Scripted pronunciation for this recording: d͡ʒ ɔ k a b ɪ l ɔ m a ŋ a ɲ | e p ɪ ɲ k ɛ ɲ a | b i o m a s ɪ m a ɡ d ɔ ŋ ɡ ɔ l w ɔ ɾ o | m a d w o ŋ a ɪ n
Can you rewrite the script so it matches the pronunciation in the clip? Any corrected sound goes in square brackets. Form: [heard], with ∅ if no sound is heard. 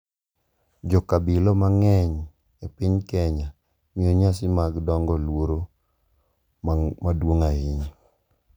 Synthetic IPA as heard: d͡ʒ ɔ k a b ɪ l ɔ m a ŋ [ɛ] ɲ | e p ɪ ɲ k ɛ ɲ a | [m] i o [ɲ] a s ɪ m a ɡ d ɔ ŋ ɡ ɔ l w [o] ɾ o | m a d w o ŋ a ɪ [ɲ]